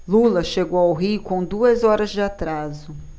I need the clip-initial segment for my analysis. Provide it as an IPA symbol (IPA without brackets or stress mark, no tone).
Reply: l